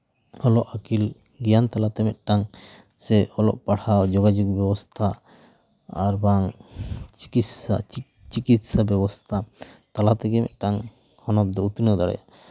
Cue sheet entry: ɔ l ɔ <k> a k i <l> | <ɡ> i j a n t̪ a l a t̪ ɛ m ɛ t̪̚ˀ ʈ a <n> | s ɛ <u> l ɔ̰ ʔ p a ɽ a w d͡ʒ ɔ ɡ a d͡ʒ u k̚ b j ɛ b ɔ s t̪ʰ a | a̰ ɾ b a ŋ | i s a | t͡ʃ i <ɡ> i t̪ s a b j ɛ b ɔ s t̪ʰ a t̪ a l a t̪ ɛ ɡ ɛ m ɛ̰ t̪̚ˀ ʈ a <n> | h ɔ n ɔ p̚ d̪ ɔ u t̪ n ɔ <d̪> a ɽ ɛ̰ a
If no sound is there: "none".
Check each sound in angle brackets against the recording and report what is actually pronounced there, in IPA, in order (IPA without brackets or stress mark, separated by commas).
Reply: ʔ, l, ɡ, ŋ, ɔ, k, ŋ, d̪